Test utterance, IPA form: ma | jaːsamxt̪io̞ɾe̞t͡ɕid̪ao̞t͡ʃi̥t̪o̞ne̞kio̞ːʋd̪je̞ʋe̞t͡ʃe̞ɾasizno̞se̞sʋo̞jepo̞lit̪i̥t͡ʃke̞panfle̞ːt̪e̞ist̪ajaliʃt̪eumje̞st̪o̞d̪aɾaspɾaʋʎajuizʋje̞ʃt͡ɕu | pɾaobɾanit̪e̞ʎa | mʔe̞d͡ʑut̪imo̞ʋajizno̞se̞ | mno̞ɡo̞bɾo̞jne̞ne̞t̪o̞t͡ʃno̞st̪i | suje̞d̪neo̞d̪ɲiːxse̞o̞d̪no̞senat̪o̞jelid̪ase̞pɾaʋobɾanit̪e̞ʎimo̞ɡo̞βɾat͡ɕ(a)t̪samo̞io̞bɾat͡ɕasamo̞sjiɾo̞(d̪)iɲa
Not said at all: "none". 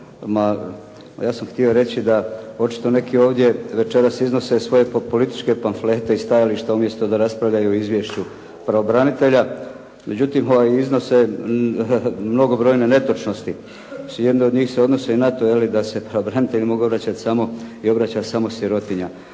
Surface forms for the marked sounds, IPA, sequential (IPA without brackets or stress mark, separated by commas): a, t̪